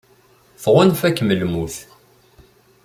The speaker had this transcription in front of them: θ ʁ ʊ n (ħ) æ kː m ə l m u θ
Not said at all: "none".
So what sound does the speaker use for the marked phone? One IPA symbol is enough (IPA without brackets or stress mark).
f